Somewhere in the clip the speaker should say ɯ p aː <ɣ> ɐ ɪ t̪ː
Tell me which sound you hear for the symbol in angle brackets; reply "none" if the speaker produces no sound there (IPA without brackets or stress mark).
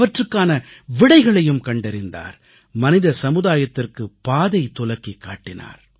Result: ð